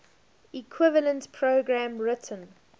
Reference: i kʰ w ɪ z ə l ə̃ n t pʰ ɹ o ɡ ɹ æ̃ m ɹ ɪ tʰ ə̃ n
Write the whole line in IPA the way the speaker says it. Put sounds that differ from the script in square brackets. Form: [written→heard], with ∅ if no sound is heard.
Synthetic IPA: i kʰ w ɪ [z→v] ə l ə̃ n t pʰ ɹ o ɡ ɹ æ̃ m ɹ ɪ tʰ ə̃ n

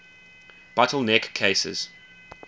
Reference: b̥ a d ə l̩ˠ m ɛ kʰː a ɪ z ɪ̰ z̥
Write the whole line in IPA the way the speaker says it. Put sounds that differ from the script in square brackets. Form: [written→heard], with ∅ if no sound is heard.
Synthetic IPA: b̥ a [d→t] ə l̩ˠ [m→n] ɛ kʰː [a→e] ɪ [z→s] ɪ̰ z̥

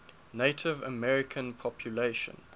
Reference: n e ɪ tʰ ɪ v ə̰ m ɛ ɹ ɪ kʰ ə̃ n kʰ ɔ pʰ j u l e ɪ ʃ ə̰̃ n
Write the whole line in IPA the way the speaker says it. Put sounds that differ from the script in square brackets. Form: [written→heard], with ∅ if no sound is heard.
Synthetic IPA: n e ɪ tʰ ɪ v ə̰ m ɛ ɹ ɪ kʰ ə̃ n [kʰ→pʰ] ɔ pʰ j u l e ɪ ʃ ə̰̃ n

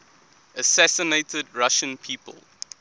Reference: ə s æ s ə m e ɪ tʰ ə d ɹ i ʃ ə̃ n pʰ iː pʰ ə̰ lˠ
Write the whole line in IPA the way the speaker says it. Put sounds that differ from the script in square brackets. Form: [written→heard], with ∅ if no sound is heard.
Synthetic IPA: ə s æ s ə [m→n] e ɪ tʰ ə d ɹ [i→a] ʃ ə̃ n pʰ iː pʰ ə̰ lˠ

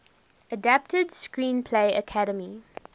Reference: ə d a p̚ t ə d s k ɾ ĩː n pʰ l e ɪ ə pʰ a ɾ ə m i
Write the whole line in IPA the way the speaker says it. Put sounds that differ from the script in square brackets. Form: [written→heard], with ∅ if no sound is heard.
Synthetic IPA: ə d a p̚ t ə d s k [ɾ→ɹ] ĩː n pʰ l e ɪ ə [pʰ→kʰ] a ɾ ə m i

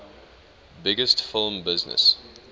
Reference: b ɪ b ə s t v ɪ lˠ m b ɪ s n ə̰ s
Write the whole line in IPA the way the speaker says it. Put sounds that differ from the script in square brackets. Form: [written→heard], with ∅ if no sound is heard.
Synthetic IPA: b ɪ [b→ɡ] ə s t [v→f] ɪ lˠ m b ɪ [s→z] n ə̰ s

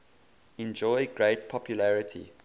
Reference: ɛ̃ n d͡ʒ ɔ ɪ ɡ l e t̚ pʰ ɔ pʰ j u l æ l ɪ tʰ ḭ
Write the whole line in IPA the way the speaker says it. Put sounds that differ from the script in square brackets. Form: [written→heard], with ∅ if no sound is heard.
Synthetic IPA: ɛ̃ n d͡ʒ ɔ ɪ ɡ [l→ɹ] e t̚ pʰ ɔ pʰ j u l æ [l→ɹ] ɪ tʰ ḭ

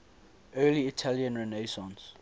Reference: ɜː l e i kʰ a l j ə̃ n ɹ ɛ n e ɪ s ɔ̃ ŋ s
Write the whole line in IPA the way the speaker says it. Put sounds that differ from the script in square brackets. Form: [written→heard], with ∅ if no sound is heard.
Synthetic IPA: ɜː l [e→i] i [kʰ→tʰ] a l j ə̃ n ɹ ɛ n e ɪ s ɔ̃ [ŋ→n] s

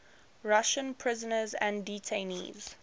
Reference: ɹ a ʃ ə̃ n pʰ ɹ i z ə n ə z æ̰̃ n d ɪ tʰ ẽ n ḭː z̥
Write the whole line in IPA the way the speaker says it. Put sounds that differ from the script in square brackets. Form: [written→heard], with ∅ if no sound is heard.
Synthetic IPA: ɹ a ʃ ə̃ n pʰ ɹ [i→ɪ] z ə n ə z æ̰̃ n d [ɪ→i] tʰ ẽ n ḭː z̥

